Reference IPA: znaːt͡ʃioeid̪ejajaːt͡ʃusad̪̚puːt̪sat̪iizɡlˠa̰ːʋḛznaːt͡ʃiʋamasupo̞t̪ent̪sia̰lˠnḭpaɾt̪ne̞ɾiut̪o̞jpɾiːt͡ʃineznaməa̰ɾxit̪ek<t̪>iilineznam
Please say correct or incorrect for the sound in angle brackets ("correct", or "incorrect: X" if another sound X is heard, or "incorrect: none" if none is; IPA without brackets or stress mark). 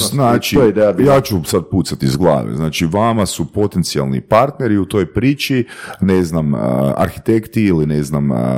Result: correct